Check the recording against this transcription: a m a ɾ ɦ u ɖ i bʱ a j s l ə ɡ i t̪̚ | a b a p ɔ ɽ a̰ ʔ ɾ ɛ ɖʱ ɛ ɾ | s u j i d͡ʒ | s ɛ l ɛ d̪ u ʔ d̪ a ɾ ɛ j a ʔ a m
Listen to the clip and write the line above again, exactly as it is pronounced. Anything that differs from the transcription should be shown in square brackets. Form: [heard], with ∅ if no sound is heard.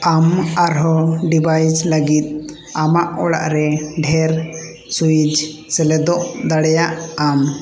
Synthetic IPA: a m a ɾ ɦ [ɔ] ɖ i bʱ a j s l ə ɡ i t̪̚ | a [m] a [ʔ] ɔ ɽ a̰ ʔ ɾ ɛ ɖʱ ɛ ɾ | s u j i d͡ʒ | s ɛ l ɛ d̪ [ɔ] ʔ d̪ a [ɽ] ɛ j a ʔ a m